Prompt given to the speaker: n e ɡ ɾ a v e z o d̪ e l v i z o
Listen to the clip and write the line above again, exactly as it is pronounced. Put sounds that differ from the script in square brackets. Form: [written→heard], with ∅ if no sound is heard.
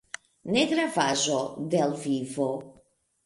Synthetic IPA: n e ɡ ɾ a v [e→a] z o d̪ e l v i [z→v] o